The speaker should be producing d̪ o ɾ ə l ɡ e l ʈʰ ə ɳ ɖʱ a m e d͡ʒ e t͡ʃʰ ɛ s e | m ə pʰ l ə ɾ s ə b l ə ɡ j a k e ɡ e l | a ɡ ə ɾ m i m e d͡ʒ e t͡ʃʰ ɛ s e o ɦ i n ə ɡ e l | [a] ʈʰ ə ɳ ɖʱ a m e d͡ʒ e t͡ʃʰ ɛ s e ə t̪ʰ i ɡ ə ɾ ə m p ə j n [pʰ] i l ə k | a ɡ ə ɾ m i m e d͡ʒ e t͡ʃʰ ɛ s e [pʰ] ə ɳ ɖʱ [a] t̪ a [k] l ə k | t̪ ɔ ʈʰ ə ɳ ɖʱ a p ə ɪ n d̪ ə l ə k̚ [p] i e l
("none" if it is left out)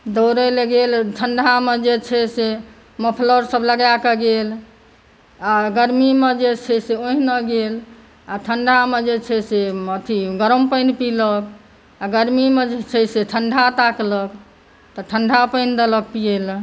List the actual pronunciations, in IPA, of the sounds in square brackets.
a, p, ʈʰ, a, k, p

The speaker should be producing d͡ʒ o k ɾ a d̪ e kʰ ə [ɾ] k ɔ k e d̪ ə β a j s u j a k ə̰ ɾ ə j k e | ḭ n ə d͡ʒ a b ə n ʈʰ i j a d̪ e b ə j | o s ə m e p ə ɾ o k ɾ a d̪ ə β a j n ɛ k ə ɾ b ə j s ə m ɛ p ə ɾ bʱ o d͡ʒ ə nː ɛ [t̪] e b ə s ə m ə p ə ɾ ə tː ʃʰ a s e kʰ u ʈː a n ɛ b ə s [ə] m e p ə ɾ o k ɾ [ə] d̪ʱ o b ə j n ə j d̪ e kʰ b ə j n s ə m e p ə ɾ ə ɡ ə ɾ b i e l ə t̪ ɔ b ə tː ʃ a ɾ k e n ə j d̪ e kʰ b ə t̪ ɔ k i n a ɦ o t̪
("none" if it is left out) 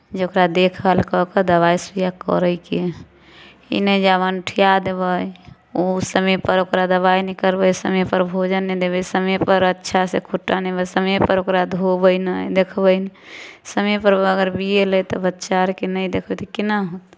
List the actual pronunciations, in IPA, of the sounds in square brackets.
l, d̪, ə, a

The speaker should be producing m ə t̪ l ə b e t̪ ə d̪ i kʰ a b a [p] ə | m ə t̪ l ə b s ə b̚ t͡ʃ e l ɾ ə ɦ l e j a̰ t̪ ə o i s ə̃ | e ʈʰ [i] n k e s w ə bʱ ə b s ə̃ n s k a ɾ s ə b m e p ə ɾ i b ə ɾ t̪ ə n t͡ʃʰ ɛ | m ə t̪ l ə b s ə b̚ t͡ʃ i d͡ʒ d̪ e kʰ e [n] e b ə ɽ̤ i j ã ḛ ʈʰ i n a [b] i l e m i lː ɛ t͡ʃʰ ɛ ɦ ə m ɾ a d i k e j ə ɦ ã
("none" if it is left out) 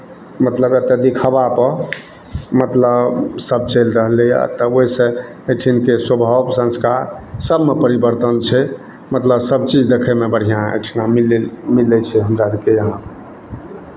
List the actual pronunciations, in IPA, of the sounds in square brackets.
p, i, m, m

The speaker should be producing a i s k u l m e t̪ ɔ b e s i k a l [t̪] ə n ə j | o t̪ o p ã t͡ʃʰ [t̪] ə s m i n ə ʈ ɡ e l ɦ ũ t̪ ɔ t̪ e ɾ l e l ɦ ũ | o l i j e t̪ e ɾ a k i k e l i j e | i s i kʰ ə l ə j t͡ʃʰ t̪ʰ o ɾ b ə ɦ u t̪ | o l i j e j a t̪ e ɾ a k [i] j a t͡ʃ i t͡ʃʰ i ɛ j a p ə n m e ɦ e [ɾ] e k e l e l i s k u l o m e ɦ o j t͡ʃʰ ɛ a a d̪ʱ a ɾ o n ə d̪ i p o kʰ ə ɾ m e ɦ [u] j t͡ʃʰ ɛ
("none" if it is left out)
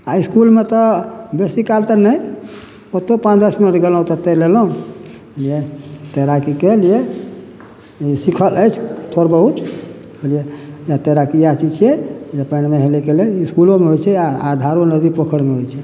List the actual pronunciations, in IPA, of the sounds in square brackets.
t̪, d̪, i, l, o

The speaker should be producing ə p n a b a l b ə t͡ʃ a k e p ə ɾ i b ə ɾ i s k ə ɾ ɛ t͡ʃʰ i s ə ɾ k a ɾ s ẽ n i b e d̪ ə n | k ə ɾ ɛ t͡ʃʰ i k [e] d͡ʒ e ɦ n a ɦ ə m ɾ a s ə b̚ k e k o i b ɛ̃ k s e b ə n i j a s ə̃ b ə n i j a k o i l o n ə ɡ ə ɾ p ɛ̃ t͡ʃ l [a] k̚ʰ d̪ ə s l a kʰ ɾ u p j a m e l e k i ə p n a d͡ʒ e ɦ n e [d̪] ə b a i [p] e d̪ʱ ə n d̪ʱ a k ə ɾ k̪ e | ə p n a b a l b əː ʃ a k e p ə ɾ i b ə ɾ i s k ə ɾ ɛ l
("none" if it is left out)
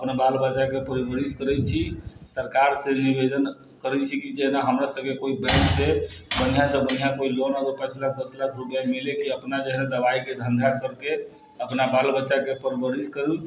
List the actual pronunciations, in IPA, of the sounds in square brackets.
i, a, d̪, k

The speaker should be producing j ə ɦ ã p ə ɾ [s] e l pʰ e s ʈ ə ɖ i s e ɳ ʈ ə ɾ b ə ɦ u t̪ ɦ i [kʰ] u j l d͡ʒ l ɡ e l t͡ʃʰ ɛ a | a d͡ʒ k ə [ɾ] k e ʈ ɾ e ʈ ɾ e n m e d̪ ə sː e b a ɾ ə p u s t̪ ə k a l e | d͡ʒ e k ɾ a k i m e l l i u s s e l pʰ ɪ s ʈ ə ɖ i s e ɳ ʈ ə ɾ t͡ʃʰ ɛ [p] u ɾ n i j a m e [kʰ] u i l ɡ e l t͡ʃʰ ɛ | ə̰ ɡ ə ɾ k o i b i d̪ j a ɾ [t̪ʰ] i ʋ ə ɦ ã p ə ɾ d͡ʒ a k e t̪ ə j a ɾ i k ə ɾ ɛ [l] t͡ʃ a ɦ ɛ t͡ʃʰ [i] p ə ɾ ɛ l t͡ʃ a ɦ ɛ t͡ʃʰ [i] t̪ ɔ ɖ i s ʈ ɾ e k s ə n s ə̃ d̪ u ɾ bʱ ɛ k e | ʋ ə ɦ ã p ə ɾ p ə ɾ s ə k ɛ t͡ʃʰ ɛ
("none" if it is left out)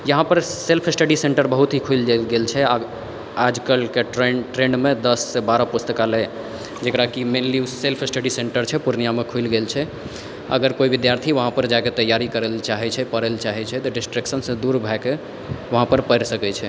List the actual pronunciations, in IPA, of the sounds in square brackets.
s, kʰ, l, p, kʰ, t̪ʰ, l, ɛ, ɛ

